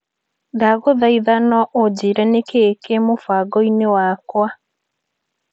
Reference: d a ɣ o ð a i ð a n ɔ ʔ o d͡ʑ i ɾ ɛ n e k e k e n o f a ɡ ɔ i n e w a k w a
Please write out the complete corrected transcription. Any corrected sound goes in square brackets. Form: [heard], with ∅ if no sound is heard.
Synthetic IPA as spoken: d a ɣ o ð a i ð a n ɔ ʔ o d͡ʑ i ɾ ɛ n e k e k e [m] o f a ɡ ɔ i n e w a k w a